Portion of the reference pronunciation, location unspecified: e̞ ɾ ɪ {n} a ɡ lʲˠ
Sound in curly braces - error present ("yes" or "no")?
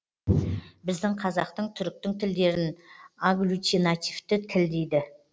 no